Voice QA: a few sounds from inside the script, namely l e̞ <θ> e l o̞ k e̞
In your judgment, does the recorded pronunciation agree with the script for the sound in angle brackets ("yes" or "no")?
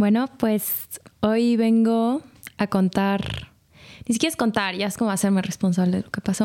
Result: no